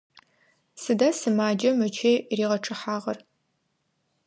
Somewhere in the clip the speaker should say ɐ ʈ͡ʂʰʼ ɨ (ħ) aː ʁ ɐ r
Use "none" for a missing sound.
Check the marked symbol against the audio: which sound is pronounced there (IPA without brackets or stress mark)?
ħ